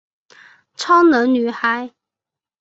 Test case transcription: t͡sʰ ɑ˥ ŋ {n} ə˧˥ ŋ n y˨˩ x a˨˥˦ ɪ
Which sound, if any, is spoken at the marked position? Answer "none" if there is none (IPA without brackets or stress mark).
n